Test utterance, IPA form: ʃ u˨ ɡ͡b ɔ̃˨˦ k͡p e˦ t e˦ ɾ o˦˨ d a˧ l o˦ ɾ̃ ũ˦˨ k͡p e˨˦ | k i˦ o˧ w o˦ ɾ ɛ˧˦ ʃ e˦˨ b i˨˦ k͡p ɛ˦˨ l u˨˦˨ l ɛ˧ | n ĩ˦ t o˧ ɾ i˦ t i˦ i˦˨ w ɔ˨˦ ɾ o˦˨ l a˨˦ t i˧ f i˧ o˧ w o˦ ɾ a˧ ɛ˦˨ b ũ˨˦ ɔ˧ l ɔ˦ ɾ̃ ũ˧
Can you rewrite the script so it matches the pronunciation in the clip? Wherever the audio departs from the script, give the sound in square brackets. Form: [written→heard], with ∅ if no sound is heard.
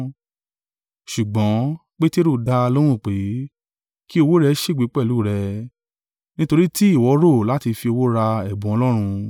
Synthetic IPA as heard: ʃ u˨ ɡ͡b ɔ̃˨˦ k͡p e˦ t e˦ ɾ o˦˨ d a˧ l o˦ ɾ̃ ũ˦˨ k͡p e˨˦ | k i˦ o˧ w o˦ ɾ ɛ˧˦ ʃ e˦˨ [b→ɡ͡b] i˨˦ k͡p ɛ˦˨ l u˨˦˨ [l→ɾ] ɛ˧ | n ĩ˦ t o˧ ɾ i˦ t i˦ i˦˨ w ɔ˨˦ ɾ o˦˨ l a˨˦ t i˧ f i˧ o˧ w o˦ ɾ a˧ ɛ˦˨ b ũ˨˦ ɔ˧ l ɔ˦ ɾ̃ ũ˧